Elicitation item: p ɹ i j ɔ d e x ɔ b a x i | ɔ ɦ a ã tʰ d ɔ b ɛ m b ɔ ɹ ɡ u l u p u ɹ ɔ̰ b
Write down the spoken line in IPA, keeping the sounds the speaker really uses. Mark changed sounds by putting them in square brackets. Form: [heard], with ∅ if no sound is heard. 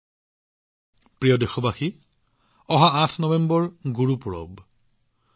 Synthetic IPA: p ɹ i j ɔ d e x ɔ b a x i | ɔ ɦ a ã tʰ [n] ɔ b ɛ m b ɔ ɹ ɡ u [ɹ] u p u ɹ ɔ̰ b